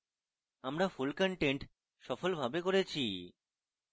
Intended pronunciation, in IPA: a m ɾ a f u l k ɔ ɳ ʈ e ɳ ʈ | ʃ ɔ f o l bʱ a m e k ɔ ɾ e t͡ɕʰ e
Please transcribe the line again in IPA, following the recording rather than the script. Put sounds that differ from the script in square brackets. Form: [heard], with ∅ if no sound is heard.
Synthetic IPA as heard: a m ɾ a f u l k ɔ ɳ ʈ e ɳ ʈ | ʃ ɔ f o l bʱ a [b] e k [o] ɾ e t͡ɕʰ [i]